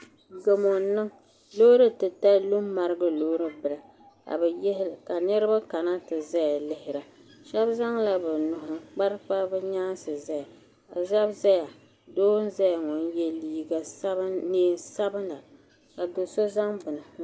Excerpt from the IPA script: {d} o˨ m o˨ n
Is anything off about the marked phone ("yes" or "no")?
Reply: yes